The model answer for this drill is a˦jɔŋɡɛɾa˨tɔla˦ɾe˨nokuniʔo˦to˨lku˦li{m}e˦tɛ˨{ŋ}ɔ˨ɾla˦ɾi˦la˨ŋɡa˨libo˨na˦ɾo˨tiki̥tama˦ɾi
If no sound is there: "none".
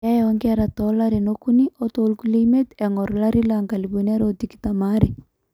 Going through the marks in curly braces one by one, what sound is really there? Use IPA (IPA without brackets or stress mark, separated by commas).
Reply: m, ŋ